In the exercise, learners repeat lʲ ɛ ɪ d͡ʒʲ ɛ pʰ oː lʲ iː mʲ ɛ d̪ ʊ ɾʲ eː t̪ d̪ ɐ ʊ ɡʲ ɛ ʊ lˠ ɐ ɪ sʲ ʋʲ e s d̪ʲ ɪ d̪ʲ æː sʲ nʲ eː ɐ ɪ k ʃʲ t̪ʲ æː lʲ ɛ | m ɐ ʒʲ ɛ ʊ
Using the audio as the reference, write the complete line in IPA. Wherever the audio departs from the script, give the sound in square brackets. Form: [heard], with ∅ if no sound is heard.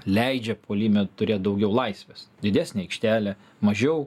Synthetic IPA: lʲ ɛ ɪ d͡ʒʲ ɛ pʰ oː lʲ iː mʲ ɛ [t̪] ʊ ɾʲ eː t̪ d̪ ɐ ʊ ɡʲ ɛ ʊ lˠ ɐ ɪ sʲ ʋʲ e s d̪ʲ ɪ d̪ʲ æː sʲ nʲ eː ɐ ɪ k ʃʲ t̪ʲ æː lʲ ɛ | m ɐ ʒʲ ɛ ʊ